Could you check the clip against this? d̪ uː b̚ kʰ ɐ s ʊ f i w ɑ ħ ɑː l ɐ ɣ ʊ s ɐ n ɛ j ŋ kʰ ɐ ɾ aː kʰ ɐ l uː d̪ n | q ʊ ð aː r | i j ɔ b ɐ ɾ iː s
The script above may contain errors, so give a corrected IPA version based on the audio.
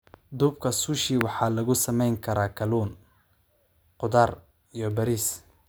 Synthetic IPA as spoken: d̪ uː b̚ kʰ ɐ s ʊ ʃ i w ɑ ħ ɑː l ɐ ɣ ʊ s ɐ m ɛ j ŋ kʰ ɐ ɾ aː kʰ ɐ l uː n | q ʊ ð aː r | i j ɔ b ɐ ɾ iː s